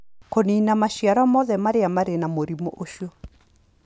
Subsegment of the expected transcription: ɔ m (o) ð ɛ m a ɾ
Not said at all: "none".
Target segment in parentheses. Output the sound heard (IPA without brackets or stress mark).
ɔ